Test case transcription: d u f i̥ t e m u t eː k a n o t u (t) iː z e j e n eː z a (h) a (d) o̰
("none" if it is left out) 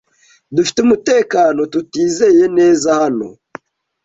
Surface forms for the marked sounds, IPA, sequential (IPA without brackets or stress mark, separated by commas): t, h, n